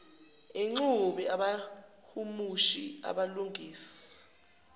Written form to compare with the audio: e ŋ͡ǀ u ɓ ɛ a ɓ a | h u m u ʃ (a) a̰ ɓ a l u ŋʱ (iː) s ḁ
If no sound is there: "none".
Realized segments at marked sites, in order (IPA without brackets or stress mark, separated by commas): i, iː